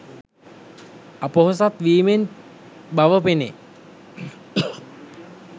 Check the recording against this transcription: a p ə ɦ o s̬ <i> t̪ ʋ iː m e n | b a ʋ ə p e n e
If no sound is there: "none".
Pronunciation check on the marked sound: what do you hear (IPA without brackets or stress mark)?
a